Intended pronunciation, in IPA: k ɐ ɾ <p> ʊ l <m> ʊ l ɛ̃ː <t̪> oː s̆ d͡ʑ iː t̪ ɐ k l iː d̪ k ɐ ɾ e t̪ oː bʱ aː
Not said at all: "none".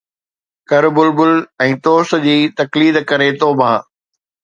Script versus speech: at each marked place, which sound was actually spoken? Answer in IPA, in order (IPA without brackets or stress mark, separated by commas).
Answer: b, b, t̪